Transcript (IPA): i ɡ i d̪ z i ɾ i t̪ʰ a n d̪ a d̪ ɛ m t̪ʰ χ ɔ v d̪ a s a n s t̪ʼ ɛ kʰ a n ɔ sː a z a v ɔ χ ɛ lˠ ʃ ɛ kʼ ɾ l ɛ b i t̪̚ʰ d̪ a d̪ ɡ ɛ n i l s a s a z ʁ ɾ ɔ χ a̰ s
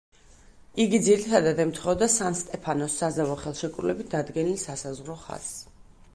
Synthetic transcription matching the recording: i ɡ i d̪ z i ɾ i t̪ʰ a d̪ a d̪ ɛ m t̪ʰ χ ɔ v d̪ a s a n s t̪ʼ ɛ pʰ a n ɔ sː a z a v ɔ χ ɛ lˠ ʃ ɛ kʼ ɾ l ɛ b i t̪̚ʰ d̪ a d̪ ɡ ɛ n i l s a s a z ʁ ɾ ɔ χ a̰ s